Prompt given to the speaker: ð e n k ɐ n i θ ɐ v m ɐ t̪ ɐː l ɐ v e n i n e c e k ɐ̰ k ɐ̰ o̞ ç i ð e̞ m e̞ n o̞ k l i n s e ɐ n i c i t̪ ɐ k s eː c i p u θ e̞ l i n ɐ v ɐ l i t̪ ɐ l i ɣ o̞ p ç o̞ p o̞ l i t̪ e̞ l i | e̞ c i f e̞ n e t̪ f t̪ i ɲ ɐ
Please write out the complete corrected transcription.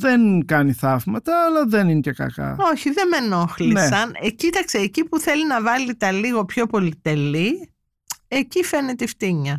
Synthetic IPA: ð e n k ɐ n i θ ɐ v m ɐ t̪ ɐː l ɐ ð e n i n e c e k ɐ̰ k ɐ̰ o̞ ç i ð e̞ m e̞ n o̞ x l i n s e ɐ n e c i t̪ ɐ k s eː c i p u θ e̞ l i n ɐ v ɐ l i t̪ ɐ l i ɣ o̞ p ç o̞ p o̞ l i t̪ e̞ l i | e̞ c i f e̞ n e t̪ f t̪ i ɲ ɐ